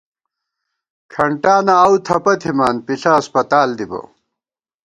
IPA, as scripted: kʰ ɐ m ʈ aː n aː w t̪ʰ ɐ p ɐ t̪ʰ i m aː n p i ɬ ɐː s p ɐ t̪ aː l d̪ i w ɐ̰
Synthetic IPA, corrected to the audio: kʰ ɐ ɳ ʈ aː n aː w t̪ʰ ɐ p ɐ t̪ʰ i m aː n p i ɬ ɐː s p ɐ t̪ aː l d̪ i b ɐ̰

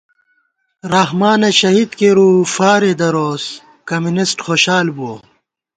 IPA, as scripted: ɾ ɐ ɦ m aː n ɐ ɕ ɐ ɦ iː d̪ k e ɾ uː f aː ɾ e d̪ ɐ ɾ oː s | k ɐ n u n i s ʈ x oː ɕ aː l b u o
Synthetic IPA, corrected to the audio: ɾ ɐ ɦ m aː n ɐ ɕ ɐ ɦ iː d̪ k e ɾ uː f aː ɾ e d̪ ɐ ɾ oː s | k ɐ m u n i s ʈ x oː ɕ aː l b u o

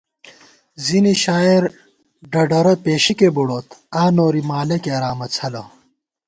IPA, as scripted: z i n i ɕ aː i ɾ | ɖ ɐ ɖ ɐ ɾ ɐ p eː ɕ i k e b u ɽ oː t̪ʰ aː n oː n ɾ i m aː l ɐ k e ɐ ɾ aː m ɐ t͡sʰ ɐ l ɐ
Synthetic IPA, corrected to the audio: z i n i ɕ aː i ɾ | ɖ ɐ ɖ ɐ ɾ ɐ p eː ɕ i k e b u ɽ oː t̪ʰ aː n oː ɾ i m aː l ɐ k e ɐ ɾ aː m ɐ t͡sʰ ɐ l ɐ

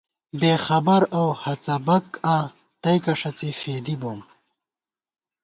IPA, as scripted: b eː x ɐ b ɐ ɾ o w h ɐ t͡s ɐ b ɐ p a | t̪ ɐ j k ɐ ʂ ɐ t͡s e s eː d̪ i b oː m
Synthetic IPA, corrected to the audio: b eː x ɐ b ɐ ɾ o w h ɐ t͡s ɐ b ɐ k a | t̪ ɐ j k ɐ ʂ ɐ t͡s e f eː d̪ i b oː m

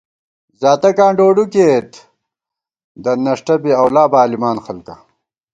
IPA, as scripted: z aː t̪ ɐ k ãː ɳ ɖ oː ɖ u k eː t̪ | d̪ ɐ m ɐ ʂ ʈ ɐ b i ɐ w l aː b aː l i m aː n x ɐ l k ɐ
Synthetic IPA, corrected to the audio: z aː t̪ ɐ k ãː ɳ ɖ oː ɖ u k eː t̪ | d̪ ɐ n ɐ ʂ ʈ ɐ b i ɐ w l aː b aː l i m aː n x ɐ l k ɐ

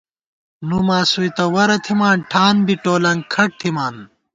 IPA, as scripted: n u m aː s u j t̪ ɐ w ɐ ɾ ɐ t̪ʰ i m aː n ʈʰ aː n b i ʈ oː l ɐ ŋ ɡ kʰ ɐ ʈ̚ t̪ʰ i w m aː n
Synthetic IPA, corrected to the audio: n u m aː s u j t̪ ɐ w ɐ ɾ ɐ t̪ʰ i m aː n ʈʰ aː n b i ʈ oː l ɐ ŋ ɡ kʰ ɐ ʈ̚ t̪ʰ i m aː n

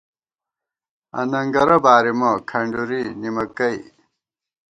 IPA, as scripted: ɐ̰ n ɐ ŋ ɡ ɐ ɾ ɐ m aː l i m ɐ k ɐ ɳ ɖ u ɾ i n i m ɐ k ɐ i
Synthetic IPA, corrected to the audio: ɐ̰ n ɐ ŋ ɡ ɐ ɾ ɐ b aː ɾ i m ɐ kʰ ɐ ɳ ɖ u ɾ i n i m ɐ k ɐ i

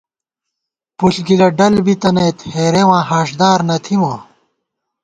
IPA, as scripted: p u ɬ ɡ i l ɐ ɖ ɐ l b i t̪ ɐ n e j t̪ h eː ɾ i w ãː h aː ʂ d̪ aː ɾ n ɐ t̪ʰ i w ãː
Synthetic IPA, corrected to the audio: p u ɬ ɡ i l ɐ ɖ ɐ l b i t̪ ɐ n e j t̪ h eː ɾ e w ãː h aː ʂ d̪ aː ɾ n ɐ t̪ʰ i w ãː

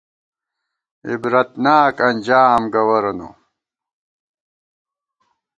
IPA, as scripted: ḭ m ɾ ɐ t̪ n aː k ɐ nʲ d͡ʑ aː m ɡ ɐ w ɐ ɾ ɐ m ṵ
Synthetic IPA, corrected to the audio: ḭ b ɾ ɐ t̪ n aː k ɐ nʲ d͡ʑ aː m ɡ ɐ w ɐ ɾ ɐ n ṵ

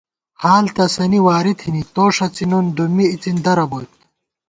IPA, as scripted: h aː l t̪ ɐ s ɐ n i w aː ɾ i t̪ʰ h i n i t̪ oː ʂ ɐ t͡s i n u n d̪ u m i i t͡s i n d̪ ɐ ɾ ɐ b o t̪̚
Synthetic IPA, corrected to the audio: h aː l t̪ ɐ s ɐ n i w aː ɾ i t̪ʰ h i n i t̪ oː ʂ ɐ t͡s i n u n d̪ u m i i t͡s i n d̪ ɐ ɾ ɐ b o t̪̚

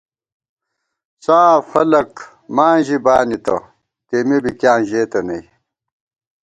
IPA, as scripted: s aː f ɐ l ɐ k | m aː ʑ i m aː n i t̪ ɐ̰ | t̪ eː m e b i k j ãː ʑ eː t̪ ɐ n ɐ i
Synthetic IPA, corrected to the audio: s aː f ɐ l ɐ k | m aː ʑ i b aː n i t̪ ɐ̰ | t̪ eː m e b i k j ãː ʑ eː t̪ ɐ n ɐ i

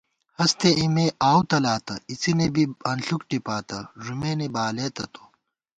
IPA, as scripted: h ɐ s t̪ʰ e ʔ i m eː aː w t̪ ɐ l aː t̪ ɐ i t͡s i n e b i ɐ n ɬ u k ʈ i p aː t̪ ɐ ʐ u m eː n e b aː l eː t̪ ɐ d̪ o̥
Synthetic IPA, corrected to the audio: h ɐ s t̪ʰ e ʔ i m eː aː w t̪ ɐ l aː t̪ ɐ i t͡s i n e b i ɐ n ɬ u k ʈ i p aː t̪ ɐ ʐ u m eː n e b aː l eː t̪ ɐ t̪ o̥

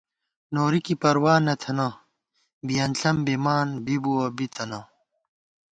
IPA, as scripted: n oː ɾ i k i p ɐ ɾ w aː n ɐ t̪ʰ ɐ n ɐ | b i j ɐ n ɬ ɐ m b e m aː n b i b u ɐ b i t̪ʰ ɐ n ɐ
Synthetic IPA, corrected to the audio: n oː ɾ i k i p ɐ ɾ w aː n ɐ t̪ʰ ɐ n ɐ | b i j ɐ n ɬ ɐ m b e m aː n b i b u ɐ b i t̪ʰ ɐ n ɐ

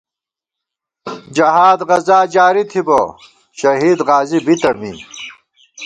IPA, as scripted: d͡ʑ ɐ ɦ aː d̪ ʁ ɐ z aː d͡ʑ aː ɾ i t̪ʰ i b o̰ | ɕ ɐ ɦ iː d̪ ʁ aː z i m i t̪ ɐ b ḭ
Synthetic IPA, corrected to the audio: d͡ʑ ɐ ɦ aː d̪ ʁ ɐ z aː d͡ʑ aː ɾ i t̪ʰ i b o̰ | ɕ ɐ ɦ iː d̪ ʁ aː z i b i t̪ ɐ m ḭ

